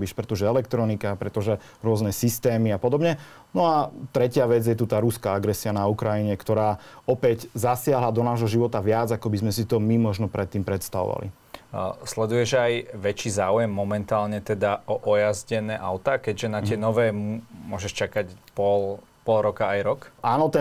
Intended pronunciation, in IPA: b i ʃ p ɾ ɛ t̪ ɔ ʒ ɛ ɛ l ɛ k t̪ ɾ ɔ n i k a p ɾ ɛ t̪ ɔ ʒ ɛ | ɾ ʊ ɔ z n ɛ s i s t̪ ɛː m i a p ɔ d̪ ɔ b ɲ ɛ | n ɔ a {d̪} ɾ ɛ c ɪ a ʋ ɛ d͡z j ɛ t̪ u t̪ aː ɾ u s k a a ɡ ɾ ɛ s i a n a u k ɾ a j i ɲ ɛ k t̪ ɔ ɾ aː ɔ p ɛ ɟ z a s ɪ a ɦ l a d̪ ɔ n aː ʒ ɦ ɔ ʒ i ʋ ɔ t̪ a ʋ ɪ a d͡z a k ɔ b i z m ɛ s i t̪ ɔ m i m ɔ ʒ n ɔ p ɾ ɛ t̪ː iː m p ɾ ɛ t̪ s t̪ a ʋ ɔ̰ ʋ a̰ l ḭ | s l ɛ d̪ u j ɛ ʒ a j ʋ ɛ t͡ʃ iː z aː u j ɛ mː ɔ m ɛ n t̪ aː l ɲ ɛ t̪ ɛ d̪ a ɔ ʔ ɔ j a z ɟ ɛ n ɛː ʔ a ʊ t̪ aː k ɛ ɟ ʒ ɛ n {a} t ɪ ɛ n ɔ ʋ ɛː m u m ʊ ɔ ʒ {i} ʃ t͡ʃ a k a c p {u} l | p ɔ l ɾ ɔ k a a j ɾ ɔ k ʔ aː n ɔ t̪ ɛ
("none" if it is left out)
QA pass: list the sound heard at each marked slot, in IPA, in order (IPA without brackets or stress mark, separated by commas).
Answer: t̪, a, ɛ, ɔ